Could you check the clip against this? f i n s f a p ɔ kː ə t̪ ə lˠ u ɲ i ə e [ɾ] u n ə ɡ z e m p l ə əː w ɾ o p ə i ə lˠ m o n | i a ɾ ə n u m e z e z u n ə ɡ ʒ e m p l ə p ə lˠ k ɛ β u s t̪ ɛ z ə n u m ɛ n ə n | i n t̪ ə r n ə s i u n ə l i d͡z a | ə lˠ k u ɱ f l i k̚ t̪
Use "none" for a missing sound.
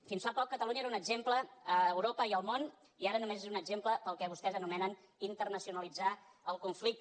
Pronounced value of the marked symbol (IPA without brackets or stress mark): ɾ